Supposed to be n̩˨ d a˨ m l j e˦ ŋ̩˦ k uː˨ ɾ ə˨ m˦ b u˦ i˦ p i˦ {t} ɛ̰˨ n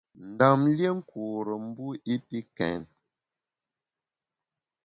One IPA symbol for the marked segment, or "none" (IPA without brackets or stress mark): k